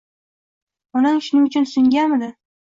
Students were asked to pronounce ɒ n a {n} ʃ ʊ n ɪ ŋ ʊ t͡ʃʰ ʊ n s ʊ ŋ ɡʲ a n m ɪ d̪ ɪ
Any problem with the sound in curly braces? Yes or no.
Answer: yes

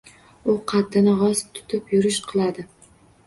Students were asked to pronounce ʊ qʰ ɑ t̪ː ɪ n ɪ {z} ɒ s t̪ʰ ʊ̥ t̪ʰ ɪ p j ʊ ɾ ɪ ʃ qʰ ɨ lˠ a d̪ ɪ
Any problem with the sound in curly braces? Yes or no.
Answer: yes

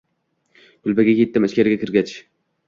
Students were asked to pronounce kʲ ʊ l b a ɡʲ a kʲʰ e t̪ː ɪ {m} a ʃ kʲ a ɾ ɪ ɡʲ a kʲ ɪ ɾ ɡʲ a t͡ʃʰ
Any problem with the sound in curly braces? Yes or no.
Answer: no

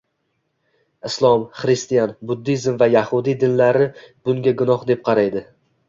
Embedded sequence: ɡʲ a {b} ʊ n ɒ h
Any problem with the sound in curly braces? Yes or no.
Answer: yes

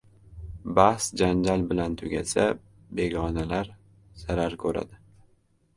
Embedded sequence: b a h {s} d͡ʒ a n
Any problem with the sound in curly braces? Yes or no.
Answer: no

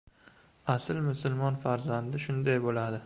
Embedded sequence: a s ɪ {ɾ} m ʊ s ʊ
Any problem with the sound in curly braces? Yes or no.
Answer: yes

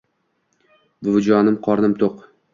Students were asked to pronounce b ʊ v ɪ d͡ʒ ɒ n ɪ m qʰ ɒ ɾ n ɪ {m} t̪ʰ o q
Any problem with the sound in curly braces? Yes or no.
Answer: no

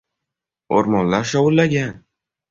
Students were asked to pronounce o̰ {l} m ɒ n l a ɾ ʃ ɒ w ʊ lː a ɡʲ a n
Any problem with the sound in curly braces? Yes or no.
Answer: yes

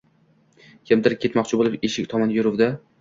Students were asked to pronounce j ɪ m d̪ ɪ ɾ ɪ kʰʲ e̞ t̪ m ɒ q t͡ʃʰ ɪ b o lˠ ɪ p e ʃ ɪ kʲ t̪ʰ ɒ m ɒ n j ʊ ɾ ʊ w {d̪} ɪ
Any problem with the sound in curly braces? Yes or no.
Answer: no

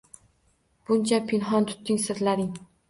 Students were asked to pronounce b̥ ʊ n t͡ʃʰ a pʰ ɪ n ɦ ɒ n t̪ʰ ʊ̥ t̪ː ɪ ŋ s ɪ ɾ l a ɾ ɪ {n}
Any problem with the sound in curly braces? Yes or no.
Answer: yes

